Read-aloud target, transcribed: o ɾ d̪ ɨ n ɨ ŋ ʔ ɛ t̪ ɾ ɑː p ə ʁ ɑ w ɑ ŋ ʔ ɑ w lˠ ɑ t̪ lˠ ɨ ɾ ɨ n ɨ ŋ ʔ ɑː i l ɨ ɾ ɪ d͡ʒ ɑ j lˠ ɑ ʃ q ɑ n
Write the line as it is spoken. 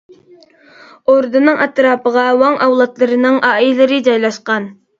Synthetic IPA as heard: o ɾ d̪ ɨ n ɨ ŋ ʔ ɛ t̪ ɾ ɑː p ə ʁ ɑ w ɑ ŋ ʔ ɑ w lˠ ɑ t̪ lˠ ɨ ɾ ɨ n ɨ ŋ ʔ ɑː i l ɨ ɾ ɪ d͡ʒ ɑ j lˠ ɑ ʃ q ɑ n